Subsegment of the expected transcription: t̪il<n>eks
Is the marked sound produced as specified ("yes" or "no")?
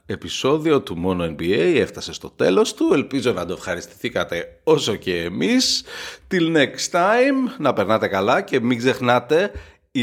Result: yes